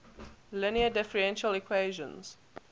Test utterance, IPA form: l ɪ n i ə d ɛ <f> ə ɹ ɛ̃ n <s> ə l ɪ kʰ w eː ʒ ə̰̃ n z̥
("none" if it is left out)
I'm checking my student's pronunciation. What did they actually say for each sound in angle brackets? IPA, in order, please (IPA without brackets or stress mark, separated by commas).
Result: f, ʃ